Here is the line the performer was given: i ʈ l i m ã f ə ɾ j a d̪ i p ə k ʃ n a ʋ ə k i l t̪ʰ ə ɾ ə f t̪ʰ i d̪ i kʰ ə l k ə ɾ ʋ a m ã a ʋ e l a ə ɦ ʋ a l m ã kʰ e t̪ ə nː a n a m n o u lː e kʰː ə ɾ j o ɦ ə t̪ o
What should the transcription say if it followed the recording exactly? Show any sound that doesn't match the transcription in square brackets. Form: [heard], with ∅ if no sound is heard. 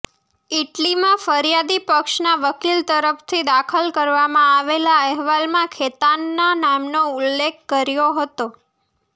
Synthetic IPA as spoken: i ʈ l i m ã f ə ɾ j a d̪ i p ə k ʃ n a ʋ ə k i l [t̪] ə ɾ ə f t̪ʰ i d̪ [a] kʰ ə l k ə ɾ ʋ a m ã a ʋ e l a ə ɦ ʋ a l m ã kʰ e t̪ [a] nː a n a m n o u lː e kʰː ə ɾ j o ɦ ə t̪ o